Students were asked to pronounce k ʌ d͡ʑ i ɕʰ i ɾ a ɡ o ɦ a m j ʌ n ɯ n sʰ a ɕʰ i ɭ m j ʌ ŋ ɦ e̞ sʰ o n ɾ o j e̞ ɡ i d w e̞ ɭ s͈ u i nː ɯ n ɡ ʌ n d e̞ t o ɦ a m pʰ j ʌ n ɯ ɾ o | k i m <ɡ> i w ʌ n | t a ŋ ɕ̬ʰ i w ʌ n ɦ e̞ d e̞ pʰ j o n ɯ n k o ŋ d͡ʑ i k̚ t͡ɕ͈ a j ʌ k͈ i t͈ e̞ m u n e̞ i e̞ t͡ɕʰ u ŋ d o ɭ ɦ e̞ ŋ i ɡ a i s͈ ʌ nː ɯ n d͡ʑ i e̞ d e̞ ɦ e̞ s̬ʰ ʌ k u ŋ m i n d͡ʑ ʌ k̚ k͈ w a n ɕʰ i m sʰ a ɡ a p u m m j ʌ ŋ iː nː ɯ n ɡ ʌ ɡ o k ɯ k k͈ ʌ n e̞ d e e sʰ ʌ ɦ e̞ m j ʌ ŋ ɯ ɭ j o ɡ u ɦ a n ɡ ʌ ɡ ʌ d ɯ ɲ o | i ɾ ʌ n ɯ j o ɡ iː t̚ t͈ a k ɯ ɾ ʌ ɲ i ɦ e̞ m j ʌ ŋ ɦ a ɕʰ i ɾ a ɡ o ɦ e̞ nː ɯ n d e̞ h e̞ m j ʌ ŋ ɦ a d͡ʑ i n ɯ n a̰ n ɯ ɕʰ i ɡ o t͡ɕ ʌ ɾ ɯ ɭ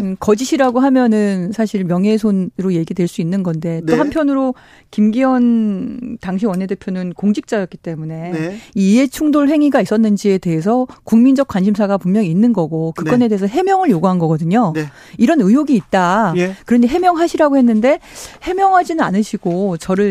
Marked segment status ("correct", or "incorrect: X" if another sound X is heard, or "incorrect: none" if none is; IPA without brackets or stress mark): correct